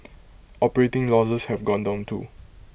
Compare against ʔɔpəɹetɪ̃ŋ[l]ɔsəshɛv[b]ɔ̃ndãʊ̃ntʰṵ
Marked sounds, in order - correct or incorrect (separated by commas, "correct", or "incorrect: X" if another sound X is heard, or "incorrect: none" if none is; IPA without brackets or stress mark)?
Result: correct, incorrect: ɡ